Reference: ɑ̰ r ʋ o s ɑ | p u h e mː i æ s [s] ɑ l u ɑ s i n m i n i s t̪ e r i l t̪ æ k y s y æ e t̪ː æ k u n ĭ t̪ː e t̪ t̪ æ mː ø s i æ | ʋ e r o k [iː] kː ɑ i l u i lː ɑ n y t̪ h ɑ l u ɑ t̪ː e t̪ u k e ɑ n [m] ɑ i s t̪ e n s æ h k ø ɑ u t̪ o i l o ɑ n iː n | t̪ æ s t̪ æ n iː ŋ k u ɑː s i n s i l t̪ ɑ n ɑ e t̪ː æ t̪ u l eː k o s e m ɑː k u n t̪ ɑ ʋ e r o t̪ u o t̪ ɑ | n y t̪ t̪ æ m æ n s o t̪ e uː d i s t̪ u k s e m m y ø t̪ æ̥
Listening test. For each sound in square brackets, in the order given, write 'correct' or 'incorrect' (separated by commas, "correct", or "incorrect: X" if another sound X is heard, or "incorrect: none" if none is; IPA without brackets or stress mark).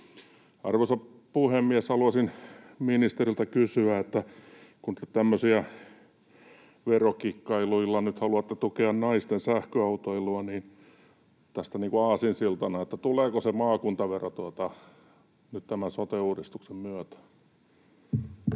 incorrect: h, incorrect: i, incorrect: n